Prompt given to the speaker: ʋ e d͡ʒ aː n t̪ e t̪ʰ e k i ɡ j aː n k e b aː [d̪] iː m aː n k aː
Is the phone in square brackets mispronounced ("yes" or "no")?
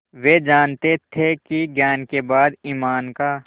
no